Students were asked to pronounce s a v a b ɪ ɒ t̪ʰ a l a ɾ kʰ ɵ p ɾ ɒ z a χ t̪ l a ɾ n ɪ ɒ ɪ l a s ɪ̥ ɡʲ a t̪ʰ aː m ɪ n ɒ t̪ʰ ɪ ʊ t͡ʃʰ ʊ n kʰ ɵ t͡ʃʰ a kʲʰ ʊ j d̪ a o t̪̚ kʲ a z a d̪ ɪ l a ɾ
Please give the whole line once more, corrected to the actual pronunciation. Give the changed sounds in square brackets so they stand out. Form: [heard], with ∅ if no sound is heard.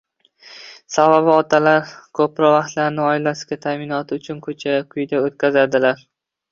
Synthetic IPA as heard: s a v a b ɪ ɒ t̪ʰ a l a ɾ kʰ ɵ p ɾ ɒ [v] a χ t̪ l a ɾ n ɪ ɒ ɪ l a s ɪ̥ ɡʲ a t̪ʰ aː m ɪ n ɒ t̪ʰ ɪ ʊ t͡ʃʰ ʊ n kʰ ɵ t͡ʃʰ a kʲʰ ʊ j d̪ a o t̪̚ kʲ a z a d̪ ɪ l a ɾ